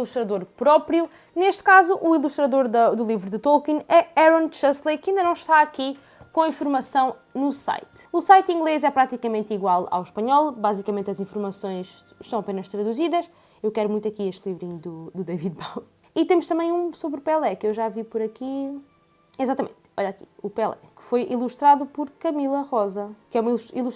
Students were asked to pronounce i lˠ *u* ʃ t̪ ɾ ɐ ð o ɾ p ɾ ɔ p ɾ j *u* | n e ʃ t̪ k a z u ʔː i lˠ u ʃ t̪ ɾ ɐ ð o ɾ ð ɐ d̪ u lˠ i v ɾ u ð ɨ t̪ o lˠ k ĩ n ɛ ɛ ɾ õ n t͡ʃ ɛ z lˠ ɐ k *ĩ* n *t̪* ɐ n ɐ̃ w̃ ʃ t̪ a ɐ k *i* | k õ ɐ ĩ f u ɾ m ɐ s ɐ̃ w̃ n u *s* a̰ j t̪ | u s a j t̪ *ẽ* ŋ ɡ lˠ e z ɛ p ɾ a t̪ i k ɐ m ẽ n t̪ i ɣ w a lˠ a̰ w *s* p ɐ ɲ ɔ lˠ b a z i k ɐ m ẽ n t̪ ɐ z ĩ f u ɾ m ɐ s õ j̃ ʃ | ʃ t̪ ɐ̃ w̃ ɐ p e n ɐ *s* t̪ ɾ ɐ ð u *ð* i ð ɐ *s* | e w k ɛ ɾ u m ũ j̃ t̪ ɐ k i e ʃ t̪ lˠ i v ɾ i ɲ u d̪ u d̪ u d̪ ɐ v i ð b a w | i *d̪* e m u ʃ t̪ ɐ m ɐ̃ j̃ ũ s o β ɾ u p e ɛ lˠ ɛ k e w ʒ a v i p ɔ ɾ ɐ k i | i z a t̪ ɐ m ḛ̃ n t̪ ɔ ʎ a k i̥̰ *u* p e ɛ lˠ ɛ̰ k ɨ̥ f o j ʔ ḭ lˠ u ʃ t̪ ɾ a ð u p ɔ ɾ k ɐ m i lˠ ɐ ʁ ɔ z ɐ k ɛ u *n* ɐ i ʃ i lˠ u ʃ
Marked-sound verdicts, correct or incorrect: correct, correct, correct, incorrect: d̪, correct, correct, incorrect: ĩ, incorrect: ʃ, incorrect: ʃ, incorrect: z, incorrect: ʃ, incorrect: t̪, correct, incorrect: m

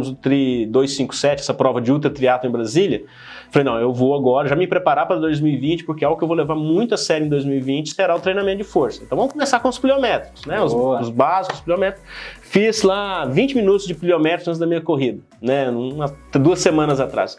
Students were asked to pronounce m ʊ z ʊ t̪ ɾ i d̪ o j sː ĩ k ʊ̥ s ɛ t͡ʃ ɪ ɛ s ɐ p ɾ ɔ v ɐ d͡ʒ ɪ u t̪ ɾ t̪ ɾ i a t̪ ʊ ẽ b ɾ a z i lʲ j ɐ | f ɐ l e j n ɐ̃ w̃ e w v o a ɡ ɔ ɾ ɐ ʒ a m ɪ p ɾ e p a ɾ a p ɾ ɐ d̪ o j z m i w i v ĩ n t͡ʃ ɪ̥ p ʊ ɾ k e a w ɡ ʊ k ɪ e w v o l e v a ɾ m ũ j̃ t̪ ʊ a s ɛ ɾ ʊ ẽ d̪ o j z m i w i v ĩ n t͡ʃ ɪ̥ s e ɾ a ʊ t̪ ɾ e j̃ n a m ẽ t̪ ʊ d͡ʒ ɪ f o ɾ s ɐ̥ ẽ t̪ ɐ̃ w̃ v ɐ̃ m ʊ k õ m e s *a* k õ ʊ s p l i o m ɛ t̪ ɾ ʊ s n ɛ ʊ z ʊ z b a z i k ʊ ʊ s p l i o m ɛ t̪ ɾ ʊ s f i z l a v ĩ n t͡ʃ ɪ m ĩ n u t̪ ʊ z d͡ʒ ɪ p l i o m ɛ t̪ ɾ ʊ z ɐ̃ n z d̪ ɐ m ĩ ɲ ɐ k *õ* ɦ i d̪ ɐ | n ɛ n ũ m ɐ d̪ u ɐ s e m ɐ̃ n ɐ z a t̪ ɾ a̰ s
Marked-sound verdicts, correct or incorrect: correct, incorrect: o

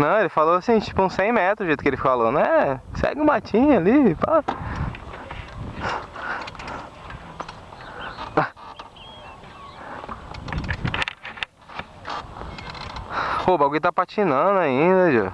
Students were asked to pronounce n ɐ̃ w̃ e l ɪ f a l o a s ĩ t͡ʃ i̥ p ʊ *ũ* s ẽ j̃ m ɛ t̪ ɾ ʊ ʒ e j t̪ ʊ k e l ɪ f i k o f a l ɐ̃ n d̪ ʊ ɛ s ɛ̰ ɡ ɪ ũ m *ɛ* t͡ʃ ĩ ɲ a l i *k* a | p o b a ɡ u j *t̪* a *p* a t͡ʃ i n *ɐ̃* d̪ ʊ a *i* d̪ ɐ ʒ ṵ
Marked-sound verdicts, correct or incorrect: correct, incorrect: a, incorrect: p, correct, correct, correct, incorrect: ĩ

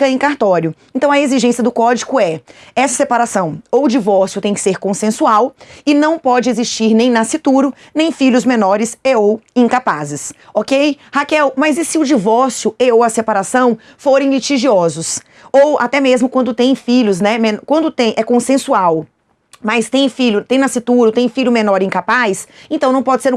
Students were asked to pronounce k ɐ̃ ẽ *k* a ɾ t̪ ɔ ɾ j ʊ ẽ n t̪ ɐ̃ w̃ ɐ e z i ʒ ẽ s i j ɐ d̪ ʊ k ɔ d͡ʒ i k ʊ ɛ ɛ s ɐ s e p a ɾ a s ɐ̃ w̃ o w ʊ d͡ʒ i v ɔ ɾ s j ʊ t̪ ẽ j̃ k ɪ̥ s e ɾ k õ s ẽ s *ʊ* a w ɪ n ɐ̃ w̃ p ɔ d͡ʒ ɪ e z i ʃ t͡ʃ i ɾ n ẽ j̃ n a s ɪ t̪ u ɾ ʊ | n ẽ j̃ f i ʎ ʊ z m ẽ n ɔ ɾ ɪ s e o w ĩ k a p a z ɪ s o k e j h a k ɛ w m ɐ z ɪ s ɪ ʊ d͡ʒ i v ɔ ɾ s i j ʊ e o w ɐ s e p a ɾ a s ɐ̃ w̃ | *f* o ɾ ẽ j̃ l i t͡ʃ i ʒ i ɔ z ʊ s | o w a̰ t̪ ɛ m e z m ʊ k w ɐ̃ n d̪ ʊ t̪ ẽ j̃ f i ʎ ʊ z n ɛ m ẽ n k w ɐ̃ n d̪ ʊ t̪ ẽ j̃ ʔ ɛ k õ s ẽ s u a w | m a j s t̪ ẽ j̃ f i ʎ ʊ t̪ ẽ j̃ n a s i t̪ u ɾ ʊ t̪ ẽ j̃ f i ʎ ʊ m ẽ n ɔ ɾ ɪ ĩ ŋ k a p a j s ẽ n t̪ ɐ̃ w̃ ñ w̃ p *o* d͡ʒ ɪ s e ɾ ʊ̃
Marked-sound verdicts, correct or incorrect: correct, incorrect: u, correct, incorrect: ɔ

